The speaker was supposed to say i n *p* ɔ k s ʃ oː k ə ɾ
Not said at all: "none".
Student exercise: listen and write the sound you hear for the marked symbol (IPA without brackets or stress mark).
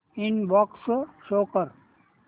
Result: b